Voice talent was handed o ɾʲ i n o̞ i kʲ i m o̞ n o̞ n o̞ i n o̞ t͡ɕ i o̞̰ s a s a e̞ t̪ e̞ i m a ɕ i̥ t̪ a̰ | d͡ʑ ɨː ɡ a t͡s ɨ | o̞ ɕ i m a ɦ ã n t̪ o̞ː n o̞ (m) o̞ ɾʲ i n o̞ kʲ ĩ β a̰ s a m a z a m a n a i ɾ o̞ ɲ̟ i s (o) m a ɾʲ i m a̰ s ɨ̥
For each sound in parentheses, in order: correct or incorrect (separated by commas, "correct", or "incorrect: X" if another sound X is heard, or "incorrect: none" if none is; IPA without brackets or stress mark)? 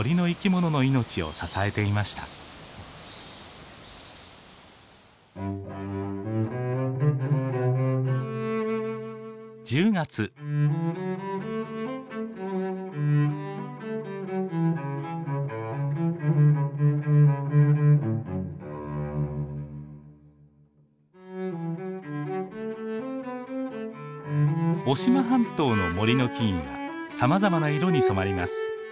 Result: correct, correct